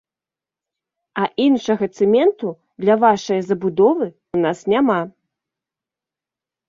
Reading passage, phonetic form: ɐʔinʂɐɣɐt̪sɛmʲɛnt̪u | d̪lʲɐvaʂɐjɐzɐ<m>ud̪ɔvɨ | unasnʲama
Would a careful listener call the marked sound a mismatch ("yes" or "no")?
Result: yes